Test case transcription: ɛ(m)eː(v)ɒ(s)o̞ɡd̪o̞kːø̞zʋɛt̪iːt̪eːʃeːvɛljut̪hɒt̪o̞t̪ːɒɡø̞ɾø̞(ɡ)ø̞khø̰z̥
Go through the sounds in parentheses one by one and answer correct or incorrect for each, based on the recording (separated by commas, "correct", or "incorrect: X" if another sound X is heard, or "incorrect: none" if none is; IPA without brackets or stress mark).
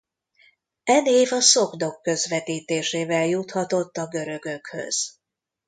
incorrect: n, correct, correct, correct